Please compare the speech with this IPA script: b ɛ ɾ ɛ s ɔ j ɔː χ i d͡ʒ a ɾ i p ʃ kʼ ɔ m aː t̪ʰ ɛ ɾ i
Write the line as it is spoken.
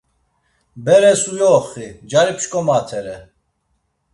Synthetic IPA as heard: b ɛ ɾ ɛ s u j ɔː χ i d͡ʒ a ɾ i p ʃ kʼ ɔ m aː t̪ʰ ɛ ɾ ɛ